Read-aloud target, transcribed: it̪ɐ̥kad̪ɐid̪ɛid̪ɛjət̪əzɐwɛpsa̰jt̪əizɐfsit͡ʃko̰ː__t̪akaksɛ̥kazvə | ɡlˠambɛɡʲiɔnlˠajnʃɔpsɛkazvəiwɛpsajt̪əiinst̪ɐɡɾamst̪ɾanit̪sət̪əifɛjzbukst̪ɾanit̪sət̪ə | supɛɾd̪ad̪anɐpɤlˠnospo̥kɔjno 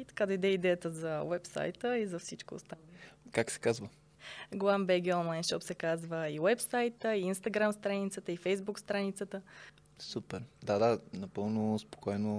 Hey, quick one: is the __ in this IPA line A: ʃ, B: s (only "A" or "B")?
B